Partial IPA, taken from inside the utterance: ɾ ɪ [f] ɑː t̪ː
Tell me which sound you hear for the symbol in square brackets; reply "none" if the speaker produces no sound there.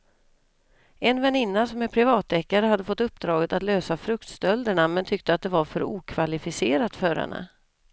v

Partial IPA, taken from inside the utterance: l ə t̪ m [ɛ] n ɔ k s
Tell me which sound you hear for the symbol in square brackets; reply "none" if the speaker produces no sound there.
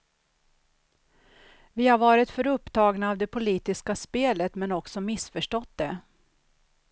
ɛ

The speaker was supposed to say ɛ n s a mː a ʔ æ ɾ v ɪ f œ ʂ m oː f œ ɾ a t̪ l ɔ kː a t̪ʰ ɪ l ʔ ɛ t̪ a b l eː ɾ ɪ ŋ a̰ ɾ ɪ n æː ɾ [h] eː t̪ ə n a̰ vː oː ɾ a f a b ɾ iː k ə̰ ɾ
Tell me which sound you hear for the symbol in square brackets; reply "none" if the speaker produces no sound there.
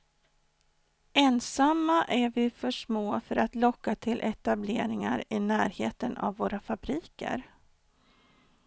h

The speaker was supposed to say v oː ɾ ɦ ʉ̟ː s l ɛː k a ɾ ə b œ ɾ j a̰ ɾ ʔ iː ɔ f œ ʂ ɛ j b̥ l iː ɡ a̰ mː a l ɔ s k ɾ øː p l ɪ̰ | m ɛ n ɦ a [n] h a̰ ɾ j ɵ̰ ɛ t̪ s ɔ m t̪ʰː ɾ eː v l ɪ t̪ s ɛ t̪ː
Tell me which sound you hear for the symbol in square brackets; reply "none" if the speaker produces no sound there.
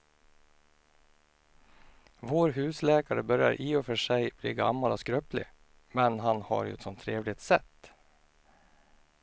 n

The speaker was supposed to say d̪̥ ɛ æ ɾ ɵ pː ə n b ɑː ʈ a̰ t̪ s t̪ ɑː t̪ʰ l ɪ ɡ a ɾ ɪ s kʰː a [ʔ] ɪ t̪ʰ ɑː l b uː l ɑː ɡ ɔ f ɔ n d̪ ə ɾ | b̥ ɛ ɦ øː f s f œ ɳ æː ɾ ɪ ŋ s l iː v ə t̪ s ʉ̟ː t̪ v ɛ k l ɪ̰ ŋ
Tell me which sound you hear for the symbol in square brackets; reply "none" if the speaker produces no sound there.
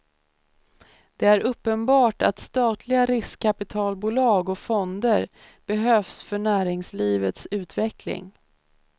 p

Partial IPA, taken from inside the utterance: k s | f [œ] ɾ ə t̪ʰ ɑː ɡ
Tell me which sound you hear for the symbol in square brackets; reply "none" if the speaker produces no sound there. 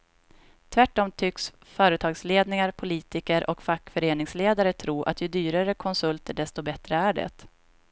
œː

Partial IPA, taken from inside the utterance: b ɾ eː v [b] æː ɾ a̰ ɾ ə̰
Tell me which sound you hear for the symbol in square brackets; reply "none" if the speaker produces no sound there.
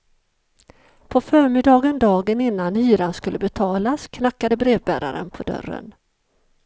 b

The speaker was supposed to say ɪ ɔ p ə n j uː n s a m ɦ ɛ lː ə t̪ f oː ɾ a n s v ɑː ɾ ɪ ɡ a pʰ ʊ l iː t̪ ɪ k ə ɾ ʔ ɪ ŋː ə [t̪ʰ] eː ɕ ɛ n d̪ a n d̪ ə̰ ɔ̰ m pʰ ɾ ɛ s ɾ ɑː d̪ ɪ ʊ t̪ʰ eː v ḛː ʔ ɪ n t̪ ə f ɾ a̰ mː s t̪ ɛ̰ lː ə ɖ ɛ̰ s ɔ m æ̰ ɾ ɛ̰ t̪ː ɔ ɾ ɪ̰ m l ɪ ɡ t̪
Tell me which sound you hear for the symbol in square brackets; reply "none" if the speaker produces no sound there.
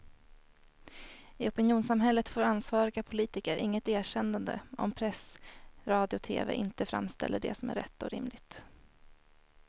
t̪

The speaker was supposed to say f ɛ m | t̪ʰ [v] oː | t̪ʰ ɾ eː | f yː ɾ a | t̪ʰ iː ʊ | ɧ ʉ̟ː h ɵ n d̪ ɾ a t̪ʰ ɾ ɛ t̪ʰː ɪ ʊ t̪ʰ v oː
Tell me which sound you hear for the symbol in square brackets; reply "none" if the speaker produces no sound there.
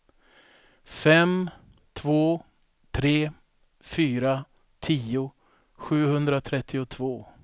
v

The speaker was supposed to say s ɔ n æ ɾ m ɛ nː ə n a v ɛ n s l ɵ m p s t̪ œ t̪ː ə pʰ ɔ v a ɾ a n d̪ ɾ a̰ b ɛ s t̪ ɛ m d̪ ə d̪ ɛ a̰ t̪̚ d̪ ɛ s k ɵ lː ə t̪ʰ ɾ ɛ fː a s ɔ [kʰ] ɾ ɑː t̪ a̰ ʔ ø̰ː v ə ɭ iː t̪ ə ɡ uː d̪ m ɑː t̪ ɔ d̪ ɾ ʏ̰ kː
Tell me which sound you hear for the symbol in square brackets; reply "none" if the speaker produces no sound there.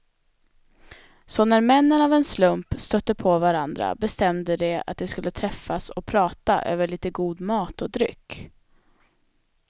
pʰ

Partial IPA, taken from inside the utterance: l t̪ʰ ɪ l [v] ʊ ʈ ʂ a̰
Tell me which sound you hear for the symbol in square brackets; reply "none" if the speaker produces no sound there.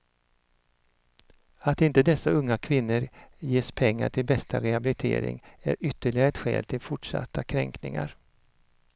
f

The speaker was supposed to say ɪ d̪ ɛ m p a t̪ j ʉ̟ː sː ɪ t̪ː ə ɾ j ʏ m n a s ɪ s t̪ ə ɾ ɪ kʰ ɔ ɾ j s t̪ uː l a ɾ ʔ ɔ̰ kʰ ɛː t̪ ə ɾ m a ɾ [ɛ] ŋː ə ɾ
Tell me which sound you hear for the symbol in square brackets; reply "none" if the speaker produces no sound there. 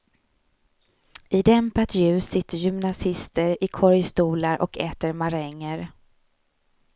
ɛ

